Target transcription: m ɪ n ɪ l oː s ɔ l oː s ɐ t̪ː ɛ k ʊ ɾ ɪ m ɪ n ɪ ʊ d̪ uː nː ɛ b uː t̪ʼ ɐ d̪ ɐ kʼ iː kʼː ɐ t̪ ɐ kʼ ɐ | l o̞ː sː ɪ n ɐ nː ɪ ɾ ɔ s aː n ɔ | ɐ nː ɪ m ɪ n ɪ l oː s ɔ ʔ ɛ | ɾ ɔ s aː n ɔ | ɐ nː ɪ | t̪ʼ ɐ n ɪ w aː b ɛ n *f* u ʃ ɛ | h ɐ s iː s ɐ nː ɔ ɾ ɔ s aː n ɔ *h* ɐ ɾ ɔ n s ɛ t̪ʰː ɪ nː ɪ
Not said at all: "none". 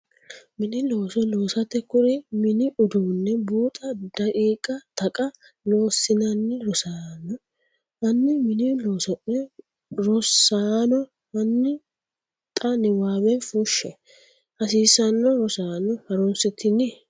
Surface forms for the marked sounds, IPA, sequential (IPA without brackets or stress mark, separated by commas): f, h